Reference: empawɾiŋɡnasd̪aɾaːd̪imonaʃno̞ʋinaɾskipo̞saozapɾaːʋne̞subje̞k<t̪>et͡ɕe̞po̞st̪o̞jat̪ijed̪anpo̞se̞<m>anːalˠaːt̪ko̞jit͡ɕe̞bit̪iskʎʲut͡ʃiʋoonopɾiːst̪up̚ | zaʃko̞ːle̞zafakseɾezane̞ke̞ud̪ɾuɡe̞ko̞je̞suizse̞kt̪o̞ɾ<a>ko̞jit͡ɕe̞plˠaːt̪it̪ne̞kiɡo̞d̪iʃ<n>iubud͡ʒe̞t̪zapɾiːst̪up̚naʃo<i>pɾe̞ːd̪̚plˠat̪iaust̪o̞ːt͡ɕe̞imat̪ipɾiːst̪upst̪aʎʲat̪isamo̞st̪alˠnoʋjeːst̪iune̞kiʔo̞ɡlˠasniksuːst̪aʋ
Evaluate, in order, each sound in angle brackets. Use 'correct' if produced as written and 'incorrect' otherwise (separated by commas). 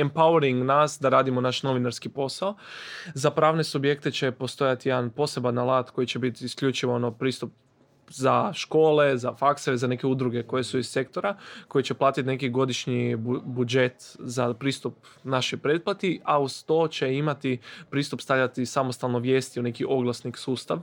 correct, incorrect, correct, incorrect, incorrect